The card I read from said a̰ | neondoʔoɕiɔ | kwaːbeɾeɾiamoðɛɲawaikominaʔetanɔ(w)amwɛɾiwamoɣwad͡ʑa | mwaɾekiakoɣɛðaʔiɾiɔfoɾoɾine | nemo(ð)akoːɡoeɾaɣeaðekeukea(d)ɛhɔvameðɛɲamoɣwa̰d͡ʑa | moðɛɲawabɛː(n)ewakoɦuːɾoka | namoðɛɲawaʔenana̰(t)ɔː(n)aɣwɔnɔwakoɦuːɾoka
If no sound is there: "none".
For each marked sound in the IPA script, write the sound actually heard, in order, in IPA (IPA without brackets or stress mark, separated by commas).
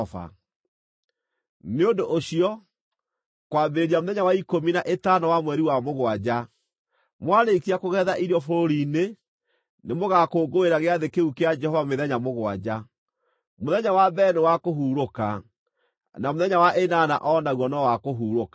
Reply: w, ɣ, d͡ʒ, n, ʔ, n